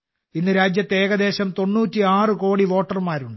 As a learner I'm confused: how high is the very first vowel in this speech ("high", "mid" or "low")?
high